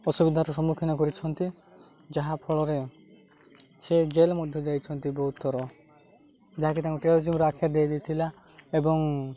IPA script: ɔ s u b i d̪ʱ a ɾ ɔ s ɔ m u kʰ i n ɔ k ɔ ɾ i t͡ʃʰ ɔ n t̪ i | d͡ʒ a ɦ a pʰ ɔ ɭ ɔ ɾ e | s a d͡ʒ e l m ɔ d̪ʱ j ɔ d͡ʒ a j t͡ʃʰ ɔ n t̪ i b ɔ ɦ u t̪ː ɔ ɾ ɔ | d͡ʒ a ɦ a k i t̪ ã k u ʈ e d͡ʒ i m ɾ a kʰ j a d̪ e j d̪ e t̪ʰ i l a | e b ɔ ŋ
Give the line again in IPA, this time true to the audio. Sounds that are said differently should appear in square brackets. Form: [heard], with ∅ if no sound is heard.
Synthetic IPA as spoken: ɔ s u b i d̪ʱ a ɾ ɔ s ɔ m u kʰ i n ɔ k ɔ ɾ i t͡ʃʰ ɔ n t̪ i | d͡ʒ a ɦ a pʰ ɔ ɭ ɔ ɾ e | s [e] d͡ʒ e l m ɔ d̪ʱ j ɔ d͡ʒ a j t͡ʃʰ ɔ n t̪ i b ɔ ɦ u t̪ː ɔ ɾ ɔ | d͡ʒ a ɦ a k i t̪ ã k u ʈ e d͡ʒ i m ɾ a kʰ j a d̪ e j d̪ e t̪ʰ i l a | e b ɔ ŋ